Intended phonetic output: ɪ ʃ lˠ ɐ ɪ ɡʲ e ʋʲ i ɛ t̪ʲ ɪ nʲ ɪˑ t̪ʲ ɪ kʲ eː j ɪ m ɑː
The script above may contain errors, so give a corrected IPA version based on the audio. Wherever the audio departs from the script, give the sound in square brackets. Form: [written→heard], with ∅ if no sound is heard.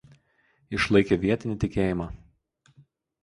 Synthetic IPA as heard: ɪ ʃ lˠ ɐ ɪ [ɡʲ→kʲ] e ʋʲ i ɛ t̪ʲ ɪ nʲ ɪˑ t̪ʲ ɪ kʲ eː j ɪ m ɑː